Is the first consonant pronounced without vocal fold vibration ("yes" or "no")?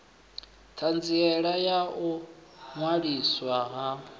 yes